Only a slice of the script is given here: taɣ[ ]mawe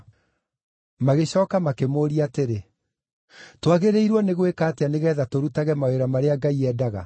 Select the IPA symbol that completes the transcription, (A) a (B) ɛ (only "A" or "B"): B